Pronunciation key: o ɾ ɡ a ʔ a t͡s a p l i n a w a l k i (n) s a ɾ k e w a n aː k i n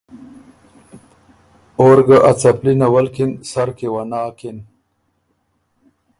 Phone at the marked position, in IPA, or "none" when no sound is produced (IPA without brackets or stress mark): n